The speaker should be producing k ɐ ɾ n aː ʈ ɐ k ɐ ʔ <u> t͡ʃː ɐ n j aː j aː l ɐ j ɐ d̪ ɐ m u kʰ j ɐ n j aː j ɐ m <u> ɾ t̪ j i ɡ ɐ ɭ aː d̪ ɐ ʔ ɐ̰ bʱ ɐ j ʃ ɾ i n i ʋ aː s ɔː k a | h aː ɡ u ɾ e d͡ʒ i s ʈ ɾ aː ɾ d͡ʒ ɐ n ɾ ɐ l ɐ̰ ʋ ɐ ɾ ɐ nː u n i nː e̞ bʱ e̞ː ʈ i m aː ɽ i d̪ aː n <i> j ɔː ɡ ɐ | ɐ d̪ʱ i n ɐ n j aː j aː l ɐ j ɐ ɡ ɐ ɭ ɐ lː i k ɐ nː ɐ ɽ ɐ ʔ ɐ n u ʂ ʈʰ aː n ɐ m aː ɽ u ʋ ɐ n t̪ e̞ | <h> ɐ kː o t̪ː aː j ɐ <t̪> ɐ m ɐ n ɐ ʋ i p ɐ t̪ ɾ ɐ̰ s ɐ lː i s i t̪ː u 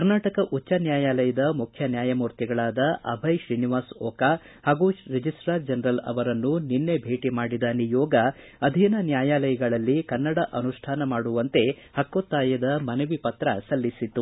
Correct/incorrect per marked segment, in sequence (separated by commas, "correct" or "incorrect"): correct, incorrect, correct, correct, incorrect